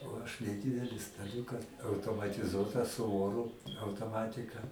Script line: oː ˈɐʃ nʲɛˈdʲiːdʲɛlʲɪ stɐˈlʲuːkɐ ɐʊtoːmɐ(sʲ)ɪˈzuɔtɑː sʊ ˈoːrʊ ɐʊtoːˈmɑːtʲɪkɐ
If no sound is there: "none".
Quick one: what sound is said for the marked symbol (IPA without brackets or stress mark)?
tʲ